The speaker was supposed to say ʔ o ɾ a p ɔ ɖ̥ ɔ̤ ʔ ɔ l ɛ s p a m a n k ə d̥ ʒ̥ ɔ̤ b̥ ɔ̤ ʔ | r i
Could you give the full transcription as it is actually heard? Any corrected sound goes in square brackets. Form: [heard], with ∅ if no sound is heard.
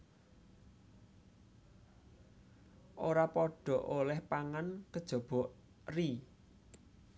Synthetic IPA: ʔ o ɾ a p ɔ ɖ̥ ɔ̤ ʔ [o] l ɛ [h] p a [ŋ] a n k ə d̥ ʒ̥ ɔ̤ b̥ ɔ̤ ʔ | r i